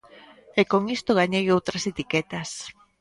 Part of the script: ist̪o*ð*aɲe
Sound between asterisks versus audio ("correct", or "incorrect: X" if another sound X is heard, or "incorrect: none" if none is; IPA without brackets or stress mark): incorrect: ɣ